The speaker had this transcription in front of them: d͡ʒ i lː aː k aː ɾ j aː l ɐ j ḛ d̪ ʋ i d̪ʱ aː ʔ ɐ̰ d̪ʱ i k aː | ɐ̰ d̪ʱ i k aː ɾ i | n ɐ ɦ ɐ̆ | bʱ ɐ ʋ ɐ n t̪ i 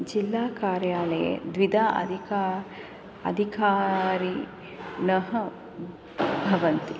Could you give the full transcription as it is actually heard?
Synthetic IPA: d͡ʒ i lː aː k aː ɾ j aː l ɐ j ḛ d̪ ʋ i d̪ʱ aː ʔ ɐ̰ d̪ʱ i k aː | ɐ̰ d̪ʱ i k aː ɾ i | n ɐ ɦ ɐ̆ | bʱ ɐ ʋ ɐ n t̪ i